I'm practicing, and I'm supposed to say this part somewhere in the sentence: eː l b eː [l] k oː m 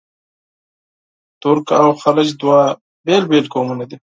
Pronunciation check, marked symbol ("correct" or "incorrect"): correct